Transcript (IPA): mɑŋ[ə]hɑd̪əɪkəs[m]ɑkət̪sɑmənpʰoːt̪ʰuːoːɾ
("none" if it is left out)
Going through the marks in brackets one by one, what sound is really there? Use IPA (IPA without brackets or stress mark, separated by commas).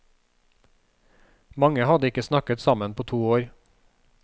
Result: ə, n